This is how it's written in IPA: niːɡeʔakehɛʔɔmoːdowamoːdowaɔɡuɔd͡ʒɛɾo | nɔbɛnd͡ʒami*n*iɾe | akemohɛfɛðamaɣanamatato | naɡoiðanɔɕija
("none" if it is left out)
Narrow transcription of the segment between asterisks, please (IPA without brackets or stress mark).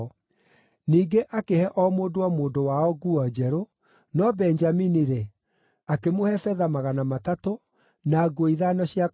n